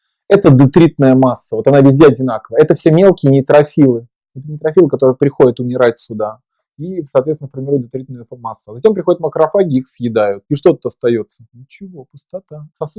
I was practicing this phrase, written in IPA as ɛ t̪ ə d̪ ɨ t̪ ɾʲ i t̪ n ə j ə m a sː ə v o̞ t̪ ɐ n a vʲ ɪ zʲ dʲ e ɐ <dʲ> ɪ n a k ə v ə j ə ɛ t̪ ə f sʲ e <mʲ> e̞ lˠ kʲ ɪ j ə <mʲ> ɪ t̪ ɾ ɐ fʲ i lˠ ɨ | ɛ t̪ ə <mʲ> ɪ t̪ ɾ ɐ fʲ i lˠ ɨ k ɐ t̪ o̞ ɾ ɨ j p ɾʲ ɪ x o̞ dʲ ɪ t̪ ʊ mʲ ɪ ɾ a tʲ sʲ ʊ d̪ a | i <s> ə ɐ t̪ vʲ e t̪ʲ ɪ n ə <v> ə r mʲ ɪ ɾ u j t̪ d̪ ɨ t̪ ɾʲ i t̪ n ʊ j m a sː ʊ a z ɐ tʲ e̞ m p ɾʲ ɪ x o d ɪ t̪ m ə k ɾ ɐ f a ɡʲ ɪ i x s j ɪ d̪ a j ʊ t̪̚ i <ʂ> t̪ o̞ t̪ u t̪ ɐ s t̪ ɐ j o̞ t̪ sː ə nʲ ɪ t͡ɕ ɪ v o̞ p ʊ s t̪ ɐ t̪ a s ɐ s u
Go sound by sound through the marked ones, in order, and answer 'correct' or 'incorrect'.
correct, correct, incorrect: nʲ, incorrect: nʲ, correct, incorrect: f, correct

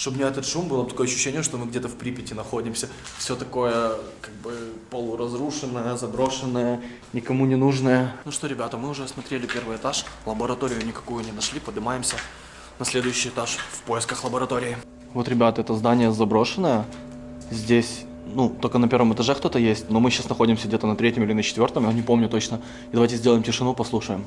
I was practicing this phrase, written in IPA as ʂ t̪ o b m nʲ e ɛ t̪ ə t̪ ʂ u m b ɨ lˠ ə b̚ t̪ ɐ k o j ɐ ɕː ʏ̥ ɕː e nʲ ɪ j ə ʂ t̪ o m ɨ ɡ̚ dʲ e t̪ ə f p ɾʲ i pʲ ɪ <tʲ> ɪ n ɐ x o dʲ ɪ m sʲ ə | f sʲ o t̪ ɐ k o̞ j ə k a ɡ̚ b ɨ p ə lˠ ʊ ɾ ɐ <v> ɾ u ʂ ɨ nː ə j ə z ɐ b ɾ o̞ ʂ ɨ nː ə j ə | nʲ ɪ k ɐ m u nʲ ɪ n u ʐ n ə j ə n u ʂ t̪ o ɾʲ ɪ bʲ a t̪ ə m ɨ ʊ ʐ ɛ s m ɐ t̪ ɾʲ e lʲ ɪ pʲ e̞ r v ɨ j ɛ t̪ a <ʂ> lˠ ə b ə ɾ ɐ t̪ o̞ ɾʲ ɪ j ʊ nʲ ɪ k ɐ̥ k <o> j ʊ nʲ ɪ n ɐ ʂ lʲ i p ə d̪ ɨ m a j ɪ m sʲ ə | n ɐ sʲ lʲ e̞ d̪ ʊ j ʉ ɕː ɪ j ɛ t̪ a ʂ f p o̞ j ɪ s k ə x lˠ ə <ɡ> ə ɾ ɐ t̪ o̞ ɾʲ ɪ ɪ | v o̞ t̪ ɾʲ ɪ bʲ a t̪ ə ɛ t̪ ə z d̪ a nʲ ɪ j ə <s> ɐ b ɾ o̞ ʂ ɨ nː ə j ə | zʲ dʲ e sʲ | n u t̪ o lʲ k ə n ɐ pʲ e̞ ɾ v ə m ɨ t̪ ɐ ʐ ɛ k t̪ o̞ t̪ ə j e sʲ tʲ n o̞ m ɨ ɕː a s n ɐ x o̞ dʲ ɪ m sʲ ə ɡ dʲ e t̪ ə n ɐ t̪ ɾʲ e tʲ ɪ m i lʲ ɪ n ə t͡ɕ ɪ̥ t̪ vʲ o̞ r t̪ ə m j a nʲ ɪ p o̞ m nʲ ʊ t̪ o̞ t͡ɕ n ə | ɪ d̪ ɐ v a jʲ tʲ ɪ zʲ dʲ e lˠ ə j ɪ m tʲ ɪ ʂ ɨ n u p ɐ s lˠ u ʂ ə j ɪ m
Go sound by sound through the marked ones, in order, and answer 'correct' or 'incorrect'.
correct, incorrect: z, correct, incorrect: u, incorrect: b, incorrect: z

